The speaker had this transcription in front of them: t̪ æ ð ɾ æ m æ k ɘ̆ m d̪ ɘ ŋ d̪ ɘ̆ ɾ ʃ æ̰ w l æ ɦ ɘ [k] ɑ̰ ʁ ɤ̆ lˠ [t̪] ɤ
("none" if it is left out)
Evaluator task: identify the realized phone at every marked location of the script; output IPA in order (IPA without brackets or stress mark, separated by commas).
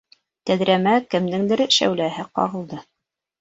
q, d̪